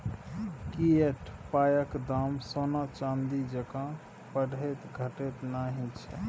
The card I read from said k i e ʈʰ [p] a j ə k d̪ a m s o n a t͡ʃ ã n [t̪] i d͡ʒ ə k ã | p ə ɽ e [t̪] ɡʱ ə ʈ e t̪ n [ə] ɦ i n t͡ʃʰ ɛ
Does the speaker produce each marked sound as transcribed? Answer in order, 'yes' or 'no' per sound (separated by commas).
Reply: yes, no, yes, no